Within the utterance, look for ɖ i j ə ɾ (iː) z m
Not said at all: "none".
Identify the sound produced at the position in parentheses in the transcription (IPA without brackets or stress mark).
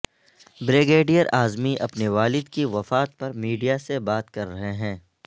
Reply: aː